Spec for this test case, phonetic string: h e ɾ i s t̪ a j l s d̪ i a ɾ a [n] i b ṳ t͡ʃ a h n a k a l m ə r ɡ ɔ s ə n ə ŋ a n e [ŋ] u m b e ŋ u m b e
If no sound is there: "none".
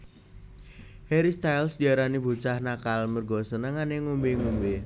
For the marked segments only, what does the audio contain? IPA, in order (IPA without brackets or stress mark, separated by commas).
n, ŋ